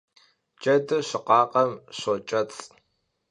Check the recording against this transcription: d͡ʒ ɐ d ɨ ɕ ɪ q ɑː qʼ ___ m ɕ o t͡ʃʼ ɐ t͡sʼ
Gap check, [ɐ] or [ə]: ɐ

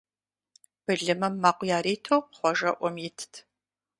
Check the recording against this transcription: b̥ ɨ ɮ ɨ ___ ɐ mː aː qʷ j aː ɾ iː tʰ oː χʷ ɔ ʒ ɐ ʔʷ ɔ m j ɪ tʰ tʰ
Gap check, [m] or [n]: m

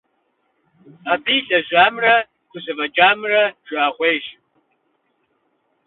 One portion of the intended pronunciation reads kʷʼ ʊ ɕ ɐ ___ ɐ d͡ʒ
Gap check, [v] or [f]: v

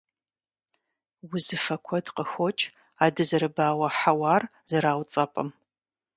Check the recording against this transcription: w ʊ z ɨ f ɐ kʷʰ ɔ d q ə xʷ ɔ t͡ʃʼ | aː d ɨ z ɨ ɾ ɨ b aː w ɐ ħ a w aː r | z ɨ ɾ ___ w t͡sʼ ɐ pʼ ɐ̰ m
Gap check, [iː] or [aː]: aː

